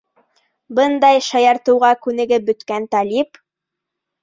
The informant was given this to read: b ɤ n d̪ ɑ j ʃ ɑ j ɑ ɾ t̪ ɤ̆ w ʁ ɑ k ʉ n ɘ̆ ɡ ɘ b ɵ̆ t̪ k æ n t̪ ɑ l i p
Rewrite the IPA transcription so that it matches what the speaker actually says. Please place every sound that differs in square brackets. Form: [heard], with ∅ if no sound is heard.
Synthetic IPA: b ɤ n d̪ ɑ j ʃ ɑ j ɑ ɾ t̪ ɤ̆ w ʁ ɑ k ʉ n ɘ̆ ɡ ɘ b ɵ̆ t̪ k æ n t̪ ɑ l i p